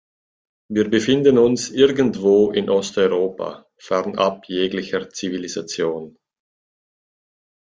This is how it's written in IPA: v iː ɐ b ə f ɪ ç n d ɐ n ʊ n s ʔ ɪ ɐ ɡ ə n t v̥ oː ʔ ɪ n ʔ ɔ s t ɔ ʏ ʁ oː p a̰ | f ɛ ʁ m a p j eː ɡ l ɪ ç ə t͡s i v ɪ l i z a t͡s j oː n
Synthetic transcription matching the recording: v iː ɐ b ə f ɪ n d ə n ʊ n s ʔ ɪ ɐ ɡ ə n t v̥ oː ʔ ɪ n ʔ ɔ s t ɔ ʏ ʁ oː p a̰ | f ɛ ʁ n a p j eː ɡ l ɪ ç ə t͡s i v i l i z a t͡s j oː n